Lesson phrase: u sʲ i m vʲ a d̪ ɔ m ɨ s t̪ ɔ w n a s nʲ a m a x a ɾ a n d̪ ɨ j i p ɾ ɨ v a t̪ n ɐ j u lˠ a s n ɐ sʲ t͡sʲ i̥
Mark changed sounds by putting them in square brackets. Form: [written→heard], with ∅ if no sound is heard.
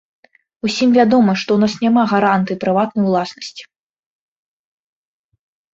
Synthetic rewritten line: u sʲ i m vʲ a d̪ ɔ m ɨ [s→ʂ] t̪ ɔ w n a s nʲ a m a [x→ɣ] a ɾ a n [d̪→t̪] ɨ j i p ɾ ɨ v a t̪ n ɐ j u lˠ a s n ɐ sʲ t͡sʲ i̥

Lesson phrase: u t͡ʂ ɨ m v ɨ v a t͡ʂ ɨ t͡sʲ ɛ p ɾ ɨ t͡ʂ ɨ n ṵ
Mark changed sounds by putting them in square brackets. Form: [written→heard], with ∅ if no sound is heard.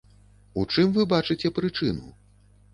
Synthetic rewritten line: u t͡ʂ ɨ m v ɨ [v→b] a t͡ʂ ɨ t͡sʲ ɛ p ɾ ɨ t͡ʂ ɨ n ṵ

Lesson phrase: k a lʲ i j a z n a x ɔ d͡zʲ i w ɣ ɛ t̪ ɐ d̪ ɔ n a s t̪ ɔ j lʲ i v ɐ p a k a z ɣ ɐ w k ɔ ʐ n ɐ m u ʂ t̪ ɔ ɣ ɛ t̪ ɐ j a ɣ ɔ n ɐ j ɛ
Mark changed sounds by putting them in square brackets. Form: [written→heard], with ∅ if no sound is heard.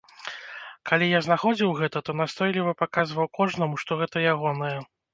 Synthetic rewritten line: k a lʲ i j a z n a x ɔ d͡zʲ i w ɣ ɛ t̪ ɐ [d̪→t̪] ɔ n a s t̪ ɔ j lʲ i v ɐ p a k a z [ɣ→v] ɐ w k ɔ ʐ n ɐ m u ʂ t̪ ɔ ɣ ɛ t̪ ɐ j a ɣ ɔ n ɐ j ɛ

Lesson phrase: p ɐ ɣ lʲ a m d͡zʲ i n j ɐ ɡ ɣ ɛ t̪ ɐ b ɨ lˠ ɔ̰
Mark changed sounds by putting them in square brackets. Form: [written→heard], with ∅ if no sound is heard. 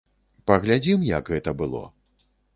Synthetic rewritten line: p ɐ ɣ lʲ a [m→∅] d͡zʲ i [n→m] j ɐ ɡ ɣ ɛ t̪ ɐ b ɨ lˠ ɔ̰

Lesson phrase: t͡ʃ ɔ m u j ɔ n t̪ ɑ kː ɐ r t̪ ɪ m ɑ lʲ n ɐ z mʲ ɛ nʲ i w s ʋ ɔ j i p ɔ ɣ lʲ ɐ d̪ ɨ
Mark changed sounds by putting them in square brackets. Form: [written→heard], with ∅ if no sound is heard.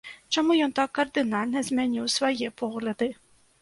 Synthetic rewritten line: t͡ʃ ɔ m u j ɔ n t̪ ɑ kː ɐ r [t̪→d̪] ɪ [m→n] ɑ lʲ n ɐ z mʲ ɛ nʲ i w s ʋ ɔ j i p ɔ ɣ lʲ ɐ d̪ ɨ

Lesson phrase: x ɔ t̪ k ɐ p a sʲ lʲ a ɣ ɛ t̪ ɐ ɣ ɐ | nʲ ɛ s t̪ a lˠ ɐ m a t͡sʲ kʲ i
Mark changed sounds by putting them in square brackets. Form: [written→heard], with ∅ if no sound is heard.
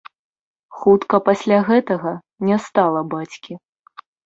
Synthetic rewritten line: x [ɔ→u] t̪ k ɐ p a sʲ lʲ a ɣ ɛ t̪ ɐ ɣ ɐ | nʲ ɛ s t̪ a lˠ ɐ [m→b] a t͡sʲ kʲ i

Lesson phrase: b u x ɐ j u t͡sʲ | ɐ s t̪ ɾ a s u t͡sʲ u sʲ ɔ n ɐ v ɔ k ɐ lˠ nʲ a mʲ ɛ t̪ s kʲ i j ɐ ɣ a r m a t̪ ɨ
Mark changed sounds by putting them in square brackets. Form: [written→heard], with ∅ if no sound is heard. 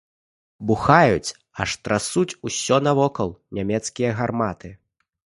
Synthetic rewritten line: b u x [ɐ→a] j u t͡sʲ | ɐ [s→ʂ] t̪ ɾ a s u t͡sʲ u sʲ ɔ n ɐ v ɔ k ɐ lˠ nʲ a mʲ ɛ t̪ s kʲ i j ɐ ɣ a r m a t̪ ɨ

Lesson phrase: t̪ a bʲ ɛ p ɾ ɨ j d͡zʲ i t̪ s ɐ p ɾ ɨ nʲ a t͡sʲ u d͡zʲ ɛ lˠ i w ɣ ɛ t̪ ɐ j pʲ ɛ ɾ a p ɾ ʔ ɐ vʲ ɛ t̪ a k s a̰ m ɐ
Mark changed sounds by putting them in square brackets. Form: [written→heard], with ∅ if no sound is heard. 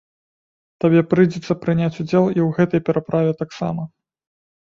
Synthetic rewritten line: t̪ a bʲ ɛ p ɾ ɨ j d͡zʲ [i→ɛ] t̪ s ɐ p ɾ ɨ nʲ a t͡sʲ u d͡zʲ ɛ lˠ i w ɣ ɛ t̪ ɐ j pʲ ɛ ɾ a p ɾ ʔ [ɐ→a] vʲ ɛ t̪ a k s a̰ m ɐ

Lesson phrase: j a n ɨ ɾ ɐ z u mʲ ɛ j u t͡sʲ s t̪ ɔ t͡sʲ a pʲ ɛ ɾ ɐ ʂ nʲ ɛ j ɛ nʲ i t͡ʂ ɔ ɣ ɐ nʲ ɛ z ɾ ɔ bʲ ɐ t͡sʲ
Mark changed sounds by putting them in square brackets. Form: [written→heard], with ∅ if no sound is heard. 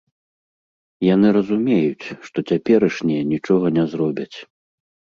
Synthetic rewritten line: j a n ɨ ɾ ɐ z u mʲ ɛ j u t͡sʲ [s→ʂ] t̪ ɔ t͡sʲ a pʲ ɛ ɾ ɐ ʂ nʲ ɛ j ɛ nʲ i t͡ʂ ɔ ɣ ɐ nʲ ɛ z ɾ ɔ bʲ ɐ t͡sʲ

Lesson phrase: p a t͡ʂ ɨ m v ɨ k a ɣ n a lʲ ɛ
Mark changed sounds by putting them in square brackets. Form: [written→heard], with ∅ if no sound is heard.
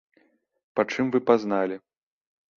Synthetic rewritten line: p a t͡ʂ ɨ m v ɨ [k→p] a [ɣ→z] n a lʲ [ɛ→i]

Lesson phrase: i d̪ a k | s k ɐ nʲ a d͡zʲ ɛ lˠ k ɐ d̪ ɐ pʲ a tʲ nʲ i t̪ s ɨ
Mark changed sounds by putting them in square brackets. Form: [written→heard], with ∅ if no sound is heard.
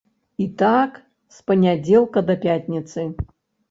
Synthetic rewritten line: i [d̪→t̪] a k | s [k→p] ɐ nʲ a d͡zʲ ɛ lˠ k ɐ d̪ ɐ pʲ a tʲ nʲ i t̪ s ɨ

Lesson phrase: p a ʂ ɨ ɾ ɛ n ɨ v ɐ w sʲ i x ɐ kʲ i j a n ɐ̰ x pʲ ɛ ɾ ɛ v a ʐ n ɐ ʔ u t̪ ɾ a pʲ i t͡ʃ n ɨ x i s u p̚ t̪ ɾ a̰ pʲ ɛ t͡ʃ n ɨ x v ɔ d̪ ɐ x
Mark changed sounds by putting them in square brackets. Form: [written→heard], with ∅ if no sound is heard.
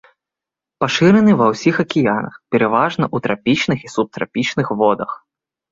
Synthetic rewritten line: p a ʂ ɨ ɾ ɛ n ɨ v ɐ w sʲ i x ɐ kʲ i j a n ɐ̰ x pʲ ɛ ɾ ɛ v a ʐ n ɐ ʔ u t̪ ɾ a pʲ i t͡ʃ n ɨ x i s u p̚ t̪ ɾ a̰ pʲ [ɛ→i] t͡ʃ n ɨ x v ɔ d̪ ɐ x

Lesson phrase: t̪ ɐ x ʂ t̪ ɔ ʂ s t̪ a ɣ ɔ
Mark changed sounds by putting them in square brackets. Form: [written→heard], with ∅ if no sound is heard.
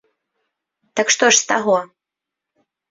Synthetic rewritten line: t̪ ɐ [x→k] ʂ t̪ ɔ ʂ s t̪ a ɣ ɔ

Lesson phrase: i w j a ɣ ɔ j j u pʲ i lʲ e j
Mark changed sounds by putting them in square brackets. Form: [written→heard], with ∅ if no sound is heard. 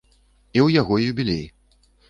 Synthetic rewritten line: i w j a ɣ ɔ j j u [pʲ→bʲ] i lʲ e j

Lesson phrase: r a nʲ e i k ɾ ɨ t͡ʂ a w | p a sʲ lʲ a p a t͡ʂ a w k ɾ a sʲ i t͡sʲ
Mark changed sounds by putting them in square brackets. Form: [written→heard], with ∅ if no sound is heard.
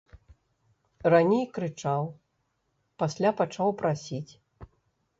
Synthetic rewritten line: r a nʲ e [i→j] k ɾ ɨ t͡ʂ a w | p a sʲ lʲ a p a t͡ʂ a w [k→p] ɾ a sʲ i t͡sʲ

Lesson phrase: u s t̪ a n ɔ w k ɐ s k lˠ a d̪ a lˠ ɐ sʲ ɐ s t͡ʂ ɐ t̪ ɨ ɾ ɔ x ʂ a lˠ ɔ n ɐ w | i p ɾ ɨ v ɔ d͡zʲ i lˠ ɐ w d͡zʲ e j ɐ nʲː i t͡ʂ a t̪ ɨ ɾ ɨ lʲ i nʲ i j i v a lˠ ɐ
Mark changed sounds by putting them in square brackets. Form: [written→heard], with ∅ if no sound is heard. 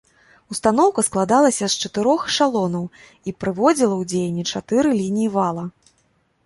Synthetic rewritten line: u s t̪ a n ɔ w k ɐ s k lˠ a d̪ a lˠ ɐ sʲ ɐ s t͡ʂ ɐ t̪ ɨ ɾ ɔ x ʂ a lˠ ɔ n ɐ w | i p ɾ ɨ v ɔ d͡zʲ i lˠ ɐ w d͡zʲ e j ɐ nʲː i t͡ʂ a t̪ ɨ ɾ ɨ lʲ i nʲ i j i v a lˠ ɐ

